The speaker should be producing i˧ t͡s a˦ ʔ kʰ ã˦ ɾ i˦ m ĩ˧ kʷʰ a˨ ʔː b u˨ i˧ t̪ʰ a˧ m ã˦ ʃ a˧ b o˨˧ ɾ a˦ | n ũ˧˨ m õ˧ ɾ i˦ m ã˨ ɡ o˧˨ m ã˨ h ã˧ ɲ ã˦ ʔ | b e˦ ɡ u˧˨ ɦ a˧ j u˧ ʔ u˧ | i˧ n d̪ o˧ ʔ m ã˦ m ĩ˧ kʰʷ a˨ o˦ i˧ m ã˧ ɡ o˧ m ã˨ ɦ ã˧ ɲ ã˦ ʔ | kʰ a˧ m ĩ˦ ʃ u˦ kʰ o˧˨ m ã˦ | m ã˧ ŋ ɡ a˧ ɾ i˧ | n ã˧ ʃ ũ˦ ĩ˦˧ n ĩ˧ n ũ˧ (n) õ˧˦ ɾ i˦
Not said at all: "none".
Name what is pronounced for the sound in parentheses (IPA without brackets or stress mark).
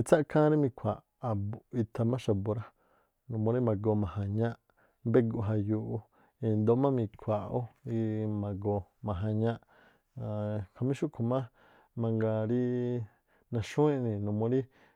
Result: m